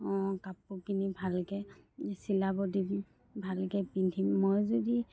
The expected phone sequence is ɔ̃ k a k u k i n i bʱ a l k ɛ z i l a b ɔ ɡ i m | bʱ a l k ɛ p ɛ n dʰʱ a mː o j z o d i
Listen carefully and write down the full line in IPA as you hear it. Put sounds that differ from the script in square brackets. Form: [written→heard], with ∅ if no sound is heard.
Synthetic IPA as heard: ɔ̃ k a [k→p] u k i n i bʱ a l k ɛ [z→s] i l a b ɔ [ɡ→d] i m | bʱ a l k ɛ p [ɛ→i] n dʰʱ [a→i] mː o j z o d i